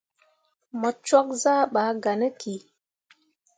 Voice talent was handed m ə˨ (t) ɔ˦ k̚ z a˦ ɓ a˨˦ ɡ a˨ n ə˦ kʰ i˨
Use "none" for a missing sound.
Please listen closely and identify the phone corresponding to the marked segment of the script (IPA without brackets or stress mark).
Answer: t͡ʃ